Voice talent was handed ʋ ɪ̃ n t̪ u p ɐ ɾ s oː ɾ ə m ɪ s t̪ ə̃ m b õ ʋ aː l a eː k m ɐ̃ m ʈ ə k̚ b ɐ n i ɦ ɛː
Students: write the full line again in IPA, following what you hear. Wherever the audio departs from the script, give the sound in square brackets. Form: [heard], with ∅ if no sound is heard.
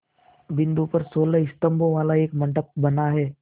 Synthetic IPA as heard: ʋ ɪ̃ n [d̪] u p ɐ ɾ s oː [l] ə [∅] ɪ s t̪ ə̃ m b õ ʋ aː l a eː k m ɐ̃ [ɳ] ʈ ə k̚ b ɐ n [a] ɦ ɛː